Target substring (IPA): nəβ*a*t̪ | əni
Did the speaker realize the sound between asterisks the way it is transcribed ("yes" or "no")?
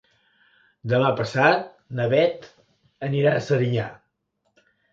no